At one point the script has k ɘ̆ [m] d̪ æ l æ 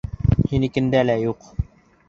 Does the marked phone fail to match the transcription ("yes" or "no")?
yes